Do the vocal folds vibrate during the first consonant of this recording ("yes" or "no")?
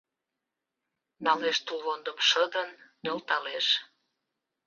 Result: yes